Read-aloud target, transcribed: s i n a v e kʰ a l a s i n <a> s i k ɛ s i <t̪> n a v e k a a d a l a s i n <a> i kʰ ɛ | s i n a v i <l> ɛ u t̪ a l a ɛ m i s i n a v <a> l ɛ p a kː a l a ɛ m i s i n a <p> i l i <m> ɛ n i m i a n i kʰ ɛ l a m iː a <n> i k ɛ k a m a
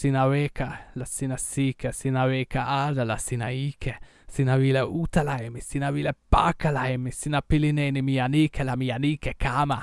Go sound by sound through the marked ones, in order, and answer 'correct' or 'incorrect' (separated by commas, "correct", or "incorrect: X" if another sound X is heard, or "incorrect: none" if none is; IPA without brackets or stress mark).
correct, incorrect: none, correct, correct, incorrect: i, correct, incorrect: n, correct